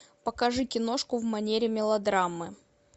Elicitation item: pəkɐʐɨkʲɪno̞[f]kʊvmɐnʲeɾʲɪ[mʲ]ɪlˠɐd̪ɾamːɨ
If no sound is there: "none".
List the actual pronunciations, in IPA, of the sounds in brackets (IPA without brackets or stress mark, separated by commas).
ʂ, mʲ